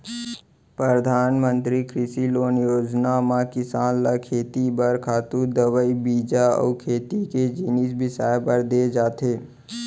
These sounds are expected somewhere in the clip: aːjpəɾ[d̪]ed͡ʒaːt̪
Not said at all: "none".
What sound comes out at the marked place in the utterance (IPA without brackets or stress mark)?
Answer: d̪